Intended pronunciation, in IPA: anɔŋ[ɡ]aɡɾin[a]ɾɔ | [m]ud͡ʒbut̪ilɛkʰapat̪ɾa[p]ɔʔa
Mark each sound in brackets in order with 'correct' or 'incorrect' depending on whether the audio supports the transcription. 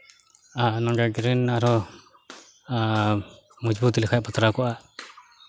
correct, correct, correct, incorrect: k

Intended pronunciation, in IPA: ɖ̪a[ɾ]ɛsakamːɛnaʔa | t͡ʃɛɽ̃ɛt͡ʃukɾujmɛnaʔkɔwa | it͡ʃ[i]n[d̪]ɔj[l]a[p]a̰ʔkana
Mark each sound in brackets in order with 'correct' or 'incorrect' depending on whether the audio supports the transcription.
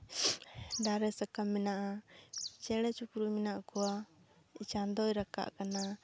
correct, incorrect: a, correct, incorrect: ɾ, incorrect: k

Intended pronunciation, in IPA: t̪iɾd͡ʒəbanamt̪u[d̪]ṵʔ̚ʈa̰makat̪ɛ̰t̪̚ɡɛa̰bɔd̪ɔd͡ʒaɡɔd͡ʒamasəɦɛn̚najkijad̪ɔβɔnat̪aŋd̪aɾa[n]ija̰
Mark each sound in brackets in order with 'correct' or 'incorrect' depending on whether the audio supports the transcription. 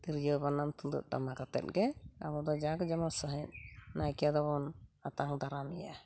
correct, incorrect: m

